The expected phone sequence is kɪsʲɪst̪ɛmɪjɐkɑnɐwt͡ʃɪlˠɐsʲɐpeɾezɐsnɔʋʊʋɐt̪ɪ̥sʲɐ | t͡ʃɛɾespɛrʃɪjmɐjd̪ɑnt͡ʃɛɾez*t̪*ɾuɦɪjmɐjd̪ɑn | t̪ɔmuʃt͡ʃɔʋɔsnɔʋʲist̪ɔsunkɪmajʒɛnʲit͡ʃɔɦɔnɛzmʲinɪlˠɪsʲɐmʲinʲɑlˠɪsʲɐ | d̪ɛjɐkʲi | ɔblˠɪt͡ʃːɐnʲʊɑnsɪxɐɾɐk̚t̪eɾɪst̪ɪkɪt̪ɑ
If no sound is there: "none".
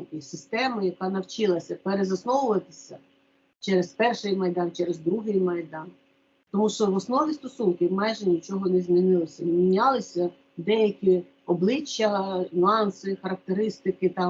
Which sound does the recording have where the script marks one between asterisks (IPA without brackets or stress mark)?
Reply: d̪